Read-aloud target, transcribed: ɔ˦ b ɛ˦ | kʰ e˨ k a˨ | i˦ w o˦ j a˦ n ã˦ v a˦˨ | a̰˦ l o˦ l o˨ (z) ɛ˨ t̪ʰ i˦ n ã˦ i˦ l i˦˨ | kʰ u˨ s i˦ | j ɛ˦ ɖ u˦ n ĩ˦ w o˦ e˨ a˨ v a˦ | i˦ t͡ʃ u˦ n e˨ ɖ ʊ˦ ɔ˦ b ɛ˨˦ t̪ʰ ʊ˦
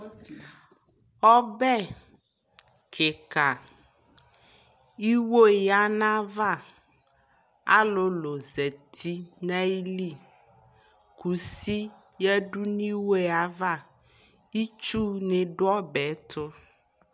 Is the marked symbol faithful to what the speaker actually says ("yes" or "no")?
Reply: yes